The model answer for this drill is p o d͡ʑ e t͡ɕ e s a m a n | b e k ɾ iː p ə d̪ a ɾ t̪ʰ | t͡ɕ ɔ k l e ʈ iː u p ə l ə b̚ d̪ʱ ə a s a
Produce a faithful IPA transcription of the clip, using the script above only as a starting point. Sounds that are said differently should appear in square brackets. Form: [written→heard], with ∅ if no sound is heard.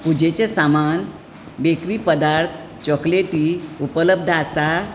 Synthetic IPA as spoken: p [o→u] d͡ʑ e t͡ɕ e s a m a n | b e k ɾ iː p ə d̪ a ɾ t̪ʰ | t͡ɕ ɔ k l e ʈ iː u p ə l ə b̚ d̪ʱ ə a s a